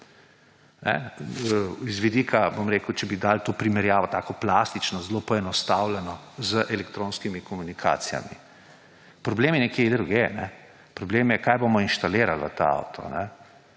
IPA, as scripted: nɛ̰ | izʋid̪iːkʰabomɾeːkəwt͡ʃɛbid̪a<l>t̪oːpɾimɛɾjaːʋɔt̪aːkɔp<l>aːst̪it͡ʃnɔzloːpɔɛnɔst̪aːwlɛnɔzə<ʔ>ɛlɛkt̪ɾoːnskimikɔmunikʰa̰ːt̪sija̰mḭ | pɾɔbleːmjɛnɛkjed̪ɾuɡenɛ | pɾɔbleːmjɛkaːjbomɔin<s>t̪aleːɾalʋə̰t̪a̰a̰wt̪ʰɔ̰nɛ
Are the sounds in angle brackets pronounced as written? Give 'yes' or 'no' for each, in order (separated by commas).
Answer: yes, yes, yes, no